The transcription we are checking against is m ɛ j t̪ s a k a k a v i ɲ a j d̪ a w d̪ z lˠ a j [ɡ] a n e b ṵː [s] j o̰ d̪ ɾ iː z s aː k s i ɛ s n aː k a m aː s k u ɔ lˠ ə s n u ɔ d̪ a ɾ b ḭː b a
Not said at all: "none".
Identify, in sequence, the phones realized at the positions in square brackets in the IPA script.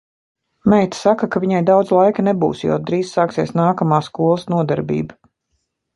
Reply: k, s

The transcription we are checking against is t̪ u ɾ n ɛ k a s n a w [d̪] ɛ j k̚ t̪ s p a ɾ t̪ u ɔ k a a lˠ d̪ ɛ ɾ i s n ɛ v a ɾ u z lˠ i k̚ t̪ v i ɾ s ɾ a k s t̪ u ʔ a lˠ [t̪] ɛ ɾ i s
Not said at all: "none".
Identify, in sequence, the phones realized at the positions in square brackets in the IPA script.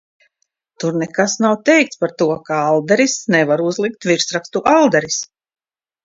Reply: t̪, d̪

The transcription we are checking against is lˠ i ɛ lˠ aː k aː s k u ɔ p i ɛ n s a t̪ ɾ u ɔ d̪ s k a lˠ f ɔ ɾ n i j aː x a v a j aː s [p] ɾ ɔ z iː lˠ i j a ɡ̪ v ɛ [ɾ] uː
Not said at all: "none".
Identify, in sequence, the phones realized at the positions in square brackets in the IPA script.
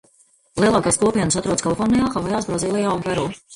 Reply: b, ɾ

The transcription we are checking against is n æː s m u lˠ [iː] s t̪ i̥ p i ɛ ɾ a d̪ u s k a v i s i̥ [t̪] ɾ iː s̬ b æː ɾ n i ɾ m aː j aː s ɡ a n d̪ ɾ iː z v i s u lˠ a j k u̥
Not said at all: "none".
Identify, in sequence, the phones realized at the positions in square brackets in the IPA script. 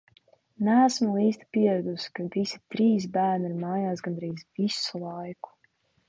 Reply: iː, t̪

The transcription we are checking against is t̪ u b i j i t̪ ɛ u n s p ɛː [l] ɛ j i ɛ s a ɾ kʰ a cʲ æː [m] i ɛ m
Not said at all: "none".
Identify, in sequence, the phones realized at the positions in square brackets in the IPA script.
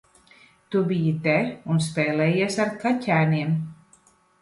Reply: l, n

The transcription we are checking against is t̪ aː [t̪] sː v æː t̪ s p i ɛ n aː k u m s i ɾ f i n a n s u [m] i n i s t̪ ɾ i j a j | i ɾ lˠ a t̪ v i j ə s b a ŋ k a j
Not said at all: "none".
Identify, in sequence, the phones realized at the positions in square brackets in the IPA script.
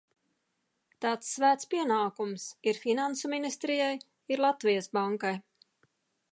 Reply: t̪, m

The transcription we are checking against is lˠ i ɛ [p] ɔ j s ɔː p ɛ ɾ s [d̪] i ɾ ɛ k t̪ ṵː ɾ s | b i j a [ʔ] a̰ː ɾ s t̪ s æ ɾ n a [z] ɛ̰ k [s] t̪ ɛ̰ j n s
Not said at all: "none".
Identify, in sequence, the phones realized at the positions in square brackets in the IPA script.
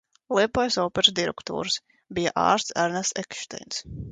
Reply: p, d̪, ʔ, s, ʃ

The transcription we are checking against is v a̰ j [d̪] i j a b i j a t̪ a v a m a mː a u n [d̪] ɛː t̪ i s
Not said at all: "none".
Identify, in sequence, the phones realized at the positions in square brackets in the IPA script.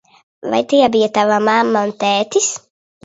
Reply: t̪, t̪

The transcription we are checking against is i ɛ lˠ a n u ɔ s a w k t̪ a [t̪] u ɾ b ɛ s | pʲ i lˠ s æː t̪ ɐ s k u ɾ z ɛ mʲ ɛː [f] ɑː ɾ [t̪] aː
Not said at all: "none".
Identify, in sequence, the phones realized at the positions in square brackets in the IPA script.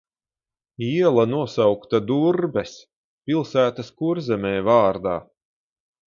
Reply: d̪, v, d̪

